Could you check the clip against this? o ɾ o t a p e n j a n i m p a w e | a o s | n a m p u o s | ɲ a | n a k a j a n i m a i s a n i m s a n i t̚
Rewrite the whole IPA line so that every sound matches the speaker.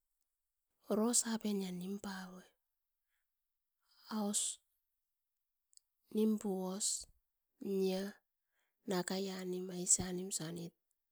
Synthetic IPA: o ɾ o s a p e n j a n i m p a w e | a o s | n i m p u o s | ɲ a | n a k a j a n i m a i s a n i m s a n i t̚

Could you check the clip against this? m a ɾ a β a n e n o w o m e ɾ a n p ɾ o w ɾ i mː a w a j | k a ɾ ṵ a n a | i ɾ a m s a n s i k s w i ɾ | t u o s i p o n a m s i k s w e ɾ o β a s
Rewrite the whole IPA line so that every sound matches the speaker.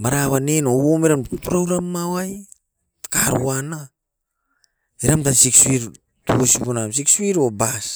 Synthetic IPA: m a ɾ a β a n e n o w o m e ɾ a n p ɾ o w ɾ a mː a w a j | k a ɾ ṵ a n a | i ɾ a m t a n s i k s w i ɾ | t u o s i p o n a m s i k s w i ɾ o b a s

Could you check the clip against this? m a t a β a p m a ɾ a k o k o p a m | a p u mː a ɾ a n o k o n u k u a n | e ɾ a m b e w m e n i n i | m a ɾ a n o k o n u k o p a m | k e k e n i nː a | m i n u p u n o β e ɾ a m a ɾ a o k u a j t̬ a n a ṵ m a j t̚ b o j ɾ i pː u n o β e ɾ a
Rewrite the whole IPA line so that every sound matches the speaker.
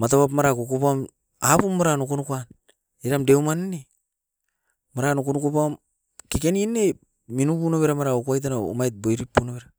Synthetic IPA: m a t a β a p m a ɾ a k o k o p a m | a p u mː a ɾ a n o k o n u k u a n | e ɾ a m d e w m a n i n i | m a ɾ a n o k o n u k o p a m | k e k e n i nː e | m i n u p u n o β e ɾ a m a ɾ a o k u a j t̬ a n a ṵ m a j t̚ b o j ɾ i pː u n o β e ɾ a

